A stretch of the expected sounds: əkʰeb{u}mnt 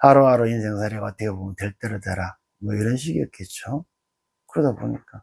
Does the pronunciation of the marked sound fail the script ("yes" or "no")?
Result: yes